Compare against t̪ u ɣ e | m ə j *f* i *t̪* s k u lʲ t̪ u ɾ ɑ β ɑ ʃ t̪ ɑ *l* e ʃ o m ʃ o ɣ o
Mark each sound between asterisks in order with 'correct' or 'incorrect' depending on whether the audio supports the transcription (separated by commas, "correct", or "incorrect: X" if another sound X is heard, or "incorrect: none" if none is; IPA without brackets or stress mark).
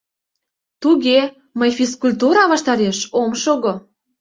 correct, incorrect: none, incorrect: ɾ